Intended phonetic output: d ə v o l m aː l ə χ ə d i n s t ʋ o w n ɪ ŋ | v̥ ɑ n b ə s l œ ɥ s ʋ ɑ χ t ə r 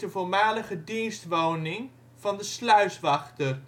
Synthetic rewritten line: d ə v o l m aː l ə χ ə d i n s t ʋ o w n ɪ ŋ | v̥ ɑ n d ə s l œ ɥ s ʋ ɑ χ t ə r